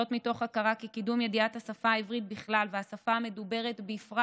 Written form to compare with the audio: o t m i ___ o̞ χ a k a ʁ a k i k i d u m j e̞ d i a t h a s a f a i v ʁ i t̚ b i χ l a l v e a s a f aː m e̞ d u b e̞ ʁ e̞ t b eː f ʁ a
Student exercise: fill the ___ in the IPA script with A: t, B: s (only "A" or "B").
A